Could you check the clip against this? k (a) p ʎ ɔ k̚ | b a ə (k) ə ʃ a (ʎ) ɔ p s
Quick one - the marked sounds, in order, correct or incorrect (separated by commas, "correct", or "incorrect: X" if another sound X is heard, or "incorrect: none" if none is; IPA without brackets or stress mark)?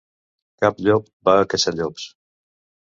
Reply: correct, correct, correct